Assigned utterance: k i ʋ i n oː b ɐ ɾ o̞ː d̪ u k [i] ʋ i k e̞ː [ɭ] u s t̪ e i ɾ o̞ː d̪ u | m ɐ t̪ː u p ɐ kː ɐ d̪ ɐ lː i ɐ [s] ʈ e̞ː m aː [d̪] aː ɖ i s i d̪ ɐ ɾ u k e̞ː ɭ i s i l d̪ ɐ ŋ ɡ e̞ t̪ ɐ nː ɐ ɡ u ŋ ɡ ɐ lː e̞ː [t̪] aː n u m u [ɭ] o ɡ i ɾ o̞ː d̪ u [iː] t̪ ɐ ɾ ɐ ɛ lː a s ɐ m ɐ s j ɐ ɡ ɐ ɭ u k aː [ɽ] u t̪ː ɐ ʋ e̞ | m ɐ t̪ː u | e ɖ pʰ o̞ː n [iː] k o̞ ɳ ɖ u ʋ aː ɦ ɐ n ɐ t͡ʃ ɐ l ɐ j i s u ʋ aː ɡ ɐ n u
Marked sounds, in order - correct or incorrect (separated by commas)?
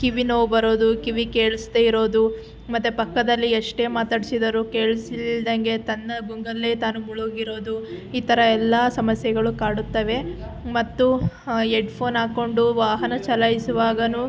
correct, correct, incorrect, incorrect, correct, correct, correct, correct, incorrect